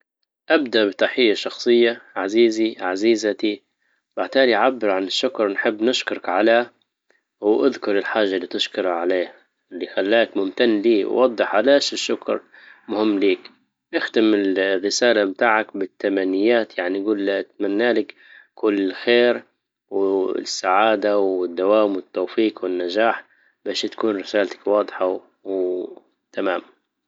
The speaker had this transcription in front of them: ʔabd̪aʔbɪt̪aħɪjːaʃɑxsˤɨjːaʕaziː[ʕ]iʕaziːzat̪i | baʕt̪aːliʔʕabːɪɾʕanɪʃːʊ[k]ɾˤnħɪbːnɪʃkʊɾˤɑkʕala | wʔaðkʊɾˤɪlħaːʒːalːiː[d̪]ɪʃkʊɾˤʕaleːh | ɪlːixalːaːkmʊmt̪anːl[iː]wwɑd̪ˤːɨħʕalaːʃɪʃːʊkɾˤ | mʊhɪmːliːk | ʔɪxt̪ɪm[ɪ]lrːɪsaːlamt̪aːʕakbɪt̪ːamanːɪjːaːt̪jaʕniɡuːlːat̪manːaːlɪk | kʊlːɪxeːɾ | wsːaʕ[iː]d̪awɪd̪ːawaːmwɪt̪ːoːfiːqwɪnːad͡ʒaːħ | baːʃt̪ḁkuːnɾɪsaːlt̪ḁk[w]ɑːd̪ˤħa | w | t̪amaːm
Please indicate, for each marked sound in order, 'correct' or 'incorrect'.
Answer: incorrect, correct, incorrect, correct, correct, incorrect, correct

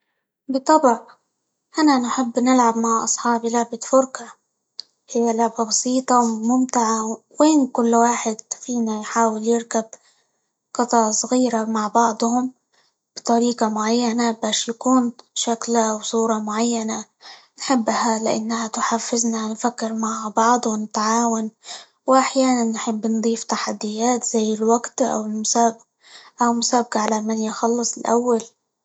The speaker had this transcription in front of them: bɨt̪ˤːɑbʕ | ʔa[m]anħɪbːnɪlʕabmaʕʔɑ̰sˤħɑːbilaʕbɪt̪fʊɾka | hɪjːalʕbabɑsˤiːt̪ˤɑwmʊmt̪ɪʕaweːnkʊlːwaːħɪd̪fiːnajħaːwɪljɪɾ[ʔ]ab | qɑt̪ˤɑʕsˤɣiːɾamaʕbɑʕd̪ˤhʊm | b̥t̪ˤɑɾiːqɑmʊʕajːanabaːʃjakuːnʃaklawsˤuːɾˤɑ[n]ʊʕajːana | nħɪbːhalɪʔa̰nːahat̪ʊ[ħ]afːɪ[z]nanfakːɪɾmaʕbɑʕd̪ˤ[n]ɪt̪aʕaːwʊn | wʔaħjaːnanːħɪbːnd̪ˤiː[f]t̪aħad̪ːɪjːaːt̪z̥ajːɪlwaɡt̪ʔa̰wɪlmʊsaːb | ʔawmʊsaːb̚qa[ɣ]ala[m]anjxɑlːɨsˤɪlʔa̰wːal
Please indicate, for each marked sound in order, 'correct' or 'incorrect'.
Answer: incorrect, incorrect, incorrect, correct, correct, correct, correct, incorrect, correct

